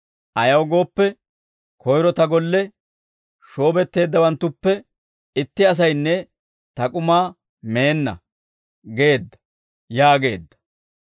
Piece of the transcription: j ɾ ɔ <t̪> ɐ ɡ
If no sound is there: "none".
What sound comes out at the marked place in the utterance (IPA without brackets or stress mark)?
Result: t̪